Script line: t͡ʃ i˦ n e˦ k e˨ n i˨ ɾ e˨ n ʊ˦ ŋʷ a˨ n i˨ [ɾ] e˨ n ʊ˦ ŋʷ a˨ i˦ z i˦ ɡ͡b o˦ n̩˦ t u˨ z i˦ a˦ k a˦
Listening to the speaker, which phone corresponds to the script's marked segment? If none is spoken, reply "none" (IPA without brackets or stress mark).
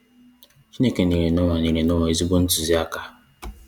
ɾ